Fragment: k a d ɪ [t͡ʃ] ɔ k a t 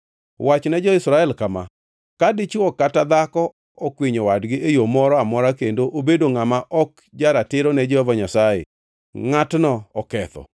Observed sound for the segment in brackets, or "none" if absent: t͡ʃ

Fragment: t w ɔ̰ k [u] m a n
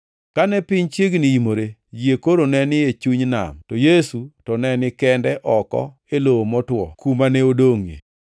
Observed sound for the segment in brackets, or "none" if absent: u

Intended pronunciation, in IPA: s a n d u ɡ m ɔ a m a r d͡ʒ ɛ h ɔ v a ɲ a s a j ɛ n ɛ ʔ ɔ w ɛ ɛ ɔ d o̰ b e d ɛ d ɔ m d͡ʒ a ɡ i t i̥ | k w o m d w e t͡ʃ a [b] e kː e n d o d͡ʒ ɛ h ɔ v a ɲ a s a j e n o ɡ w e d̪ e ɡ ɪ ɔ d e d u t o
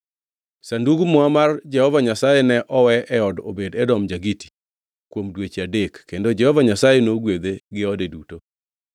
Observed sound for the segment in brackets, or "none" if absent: d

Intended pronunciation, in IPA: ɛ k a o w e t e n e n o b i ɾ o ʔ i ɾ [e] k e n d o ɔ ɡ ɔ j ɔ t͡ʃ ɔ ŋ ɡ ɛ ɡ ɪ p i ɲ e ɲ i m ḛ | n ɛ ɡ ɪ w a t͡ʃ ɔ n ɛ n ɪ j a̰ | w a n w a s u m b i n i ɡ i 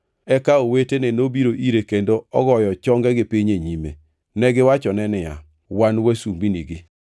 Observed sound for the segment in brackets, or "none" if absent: e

